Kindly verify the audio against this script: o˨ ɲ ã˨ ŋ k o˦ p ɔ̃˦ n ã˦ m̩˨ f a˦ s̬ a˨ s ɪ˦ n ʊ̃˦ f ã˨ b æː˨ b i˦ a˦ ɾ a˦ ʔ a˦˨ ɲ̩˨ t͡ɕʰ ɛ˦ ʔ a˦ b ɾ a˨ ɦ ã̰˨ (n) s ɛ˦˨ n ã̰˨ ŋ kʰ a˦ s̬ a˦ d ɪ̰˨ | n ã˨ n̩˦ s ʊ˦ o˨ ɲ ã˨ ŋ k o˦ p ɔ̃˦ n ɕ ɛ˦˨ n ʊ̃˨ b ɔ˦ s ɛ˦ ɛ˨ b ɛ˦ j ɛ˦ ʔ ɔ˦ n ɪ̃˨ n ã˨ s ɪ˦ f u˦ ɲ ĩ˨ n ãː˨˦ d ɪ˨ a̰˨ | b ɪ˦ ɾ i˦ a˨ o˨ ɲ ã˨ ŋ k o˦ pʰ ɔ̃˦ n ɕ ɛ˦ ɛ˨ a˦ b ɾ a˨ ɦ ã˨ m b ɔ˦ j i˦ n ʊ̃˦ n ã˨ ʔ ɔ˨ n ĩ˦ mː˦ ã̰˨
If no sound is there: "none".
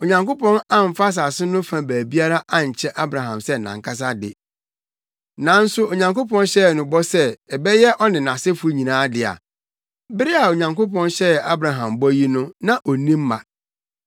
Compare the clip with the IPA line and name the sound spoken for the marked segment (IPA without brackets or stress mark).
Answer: m